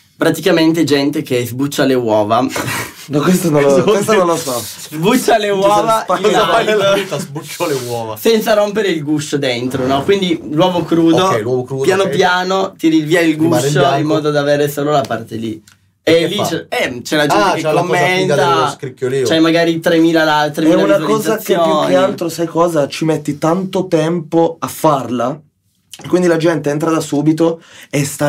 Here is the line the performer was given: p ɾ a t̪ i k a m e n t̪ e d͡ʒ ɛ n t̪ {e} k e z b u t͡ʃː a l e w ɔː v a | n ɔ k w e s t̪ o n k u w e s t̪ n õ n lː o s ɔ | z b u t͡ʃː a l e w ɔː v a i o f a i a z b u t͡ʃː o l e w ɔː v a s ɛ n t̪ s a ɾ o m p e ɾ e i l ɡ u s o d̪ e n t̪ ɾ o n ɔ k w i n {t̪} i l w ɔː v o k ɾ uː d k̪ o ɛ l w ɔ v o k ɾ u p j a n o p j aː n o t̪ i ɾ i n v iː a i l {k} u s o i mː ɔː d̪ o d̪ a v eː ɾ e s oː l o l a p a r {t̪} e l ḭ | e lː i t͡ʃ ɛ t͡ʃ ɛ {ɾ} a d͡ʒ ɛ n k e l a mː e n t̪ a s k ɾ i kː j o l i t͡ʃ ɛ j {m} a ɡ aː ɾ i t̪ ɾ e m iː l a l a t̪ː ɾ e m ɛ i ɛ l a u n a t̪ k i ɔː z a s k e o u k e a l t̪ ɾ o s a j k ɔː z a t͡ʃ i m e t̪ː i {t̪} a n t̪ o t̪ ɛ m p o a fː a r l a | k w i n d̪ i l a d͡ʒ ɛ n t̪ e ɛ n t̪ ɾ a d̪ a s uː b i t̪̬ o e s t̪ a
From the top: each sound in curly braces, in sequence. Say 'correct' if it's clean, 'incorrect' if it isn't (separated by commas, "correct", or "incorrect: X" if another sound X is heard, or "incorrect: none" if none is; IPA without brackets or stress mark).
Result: correct, incorrect: d̪, incorrect: ɡ, correct, incorrect: l, correct, correct